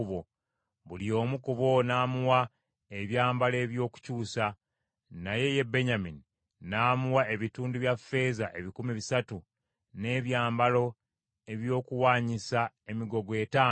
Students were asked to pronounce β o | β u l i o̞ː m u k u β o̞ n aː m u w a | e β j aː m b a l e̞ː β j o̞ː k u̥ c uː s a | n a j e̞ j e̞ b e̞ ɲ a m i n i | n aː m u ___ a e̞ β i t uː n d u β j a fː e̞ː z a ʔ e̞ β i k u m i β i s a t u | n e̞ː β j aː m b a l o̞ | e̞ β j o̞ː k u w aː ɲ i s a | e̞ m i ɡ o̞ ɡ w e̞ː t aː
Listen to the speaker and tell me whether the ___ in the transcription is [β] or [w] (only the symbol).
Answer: w